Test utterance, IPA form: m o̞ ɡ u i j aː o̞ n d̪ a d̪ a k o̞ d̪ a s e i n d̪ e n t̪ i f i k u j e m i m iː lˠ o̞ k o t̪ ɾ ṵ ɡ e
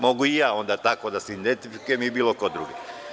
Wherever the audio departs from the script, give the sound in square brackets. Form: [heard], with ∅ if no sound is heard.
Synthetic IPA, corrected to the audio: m o̞ ɡ u i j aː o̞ n d̪ a [t̪] a k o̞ d̪ a s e i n d̪ e n t̪ i f i k u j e m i [b] iː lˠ o̞ k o [d̪] ɾ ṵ ɡ e